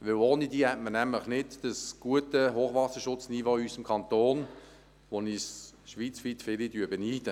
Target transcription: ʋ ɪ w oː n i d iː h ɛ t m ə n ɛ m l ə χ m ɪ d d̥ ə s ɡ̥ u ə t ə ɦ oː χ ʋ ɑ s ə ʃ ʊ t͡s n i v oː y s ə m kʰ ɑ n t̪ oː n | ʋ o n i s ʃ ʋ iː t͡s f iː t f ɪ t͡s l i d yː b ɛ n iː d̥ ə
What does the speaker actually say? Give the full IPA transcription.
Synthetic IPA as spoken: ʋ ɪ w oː n i d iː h ɛ t m ə n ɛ m l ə χ n ɪ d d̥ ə s ɡ̥ u ə t ə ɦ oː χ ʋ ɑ s ə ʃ ʊ t͡s n i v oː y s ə m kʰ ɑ n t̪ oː n | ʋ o n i s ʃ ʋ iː t͡s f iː t f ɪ l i d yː b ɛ n iː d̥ ə